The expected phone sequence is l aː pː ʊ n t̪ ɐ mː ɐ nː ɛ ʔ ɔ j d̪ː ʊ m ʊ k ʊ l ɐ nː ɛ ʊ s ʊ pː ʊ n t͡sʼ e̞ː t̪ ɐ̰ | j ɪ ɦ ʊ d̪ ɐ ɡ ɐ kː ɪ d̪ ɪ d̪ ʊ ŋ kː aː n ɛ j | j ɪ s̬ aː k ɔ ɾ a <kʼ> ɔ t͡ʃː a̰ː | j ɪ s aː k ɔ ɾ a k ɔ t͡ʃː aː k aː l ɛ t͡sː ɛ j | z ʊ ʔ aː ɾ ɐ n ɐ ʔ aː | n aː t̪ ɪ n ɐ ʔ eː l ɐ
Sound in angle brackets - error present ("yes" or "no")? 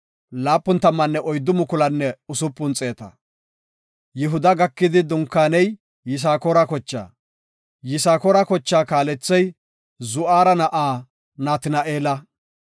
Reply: yes